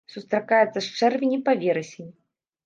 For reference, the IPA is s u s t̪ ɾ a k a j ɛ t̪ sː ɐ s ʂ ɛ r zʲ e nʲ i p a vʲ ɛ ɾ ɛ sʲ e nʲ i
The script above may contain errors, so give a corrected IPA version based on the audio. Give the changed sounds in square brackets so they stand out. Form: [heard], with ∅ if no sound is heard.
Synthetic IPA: s u s t̪ ɾ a k a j ɛ t̪ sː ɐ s [t͡ʂ] ɛ r [vʲ] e nʲ i p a vʲ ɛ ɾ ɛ sʲ e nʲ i